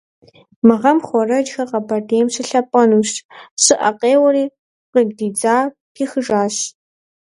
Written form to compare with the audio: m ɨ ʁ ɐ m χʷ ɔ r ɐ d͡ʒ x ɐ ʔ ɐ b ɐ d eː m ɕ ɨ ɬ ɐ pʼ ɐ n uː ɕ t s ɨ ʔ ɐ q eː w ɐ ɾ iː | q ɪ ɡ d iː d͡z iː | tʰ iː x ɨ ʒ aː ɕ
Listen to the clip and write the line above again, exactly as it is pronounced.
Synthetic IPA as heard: m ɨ ʁ ɐ m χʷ ɔ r ɐ d͡ʒ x ɐ q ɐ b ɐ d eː m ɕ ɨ ɬ ɐ pʼ ɐ n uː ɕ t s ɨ ʔ ɐ q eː w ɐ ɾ iː | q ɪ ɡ d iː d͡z aː | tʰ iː x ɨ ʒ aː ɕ